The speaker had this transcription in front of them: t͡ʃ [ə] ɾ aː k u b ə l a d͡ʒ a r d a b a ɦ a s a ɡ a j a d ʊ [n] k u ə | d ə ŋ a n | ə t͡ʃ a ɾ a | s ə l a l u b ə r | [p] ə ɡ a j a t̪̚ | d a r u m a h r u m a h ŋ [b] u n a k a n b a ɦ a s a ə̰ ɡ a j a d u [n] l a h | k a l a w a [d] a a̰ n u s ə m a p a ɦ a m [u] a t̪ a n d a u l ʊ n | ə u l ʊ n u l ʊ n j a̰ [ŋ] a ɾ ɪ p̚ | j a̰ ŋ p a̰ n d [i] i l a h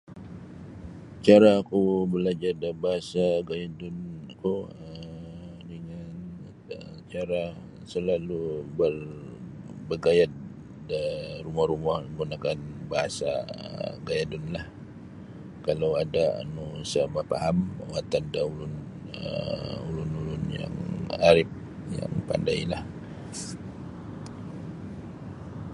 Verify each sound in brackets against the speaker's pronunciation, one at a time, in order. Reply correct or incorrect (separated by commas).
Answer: incorrect, correct, incorrect, incorrect, correct, correct, incorrect, correct, incorrect